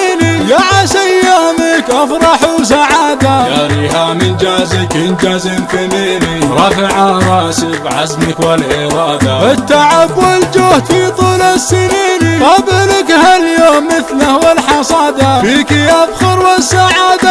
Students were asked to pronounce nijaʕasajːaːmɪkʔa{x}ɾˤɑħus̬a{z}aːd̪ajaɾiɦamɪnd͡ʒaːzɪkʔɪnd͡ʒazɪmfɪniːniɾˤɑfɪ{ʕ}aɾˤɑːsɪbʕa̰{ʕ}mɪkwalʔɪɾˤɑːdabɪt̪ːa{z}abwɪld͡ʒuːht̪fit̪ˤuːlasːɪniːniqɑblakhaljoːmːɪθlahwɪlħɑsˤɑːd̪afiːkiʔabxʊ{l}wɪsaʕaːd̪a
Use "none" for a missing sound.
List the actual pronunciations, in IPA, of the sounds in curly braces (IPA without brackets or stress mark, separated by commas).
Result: f, ʕ, ʕ, z, ʕ, ɾ